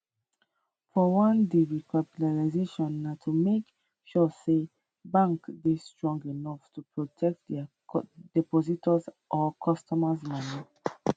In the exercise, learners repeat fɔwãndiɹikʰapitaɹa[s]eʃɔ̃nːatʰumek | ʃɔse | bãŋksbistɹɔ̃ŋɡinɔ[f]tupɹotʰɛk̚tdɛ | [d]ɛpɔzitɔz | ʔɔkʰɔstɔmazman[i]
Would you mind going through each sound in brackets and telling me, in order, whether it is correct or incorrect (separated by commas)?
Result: incorrect, correct, correct, correct